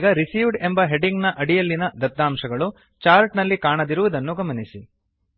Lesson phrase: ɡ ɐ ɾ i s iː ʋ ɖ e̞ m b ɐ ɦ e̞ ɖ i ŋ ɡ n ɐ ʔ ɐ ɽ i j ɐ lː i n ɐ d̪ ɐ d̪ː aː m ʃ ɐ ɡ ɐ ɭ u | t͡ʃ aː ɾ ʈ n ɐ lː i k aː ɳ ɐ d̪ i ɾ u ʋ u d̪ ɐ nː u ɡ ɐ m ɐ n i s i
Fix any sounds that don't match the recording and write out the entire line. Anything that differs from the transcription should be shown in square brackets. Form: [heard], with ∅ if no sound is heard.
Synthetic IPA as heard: ɡ ɐ ɾ i s iː ʋ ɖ e̞ m b ɐ ɦ e̞ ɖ i ŋ ɡ n ɐ ʔ ɐ ɽ i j ɐ lː i n ɐ d̪ ɐ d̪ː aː m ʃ ɐ ɡ ɐ ɭ u | t͡ʃ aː ɾ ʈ n ɐ lː i k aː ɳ ɐ d̪ i ɾ u ʋ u d̪ ɐ nː u ɡ ɐ m ɐ n i s i